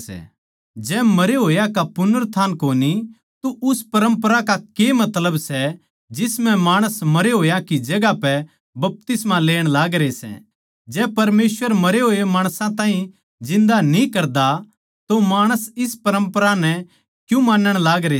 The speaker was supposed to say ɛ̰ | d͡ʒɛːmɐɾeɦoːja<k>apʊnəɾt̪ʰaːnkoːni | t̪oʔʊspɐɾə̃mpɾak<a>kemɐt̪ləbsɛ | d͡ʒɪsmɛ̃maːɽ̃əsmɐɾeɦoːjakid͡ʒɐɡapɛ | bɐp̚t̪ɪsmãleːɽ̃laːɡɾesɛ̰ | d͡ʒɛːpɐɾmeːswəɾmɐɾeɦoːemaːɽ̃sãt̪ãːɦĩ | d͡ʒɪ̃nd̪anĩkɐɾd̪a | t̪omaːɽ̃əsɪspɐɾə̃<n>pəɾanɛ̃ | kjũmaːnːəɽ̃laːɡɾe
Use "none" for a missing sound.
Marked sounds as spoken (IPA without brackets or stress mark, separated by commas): k, a, m